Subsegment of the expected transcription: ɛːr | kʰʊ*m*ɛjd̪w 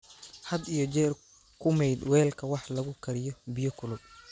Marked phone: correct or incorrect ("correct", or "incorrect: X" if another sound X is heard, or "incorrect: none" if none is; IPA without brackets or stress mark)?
correct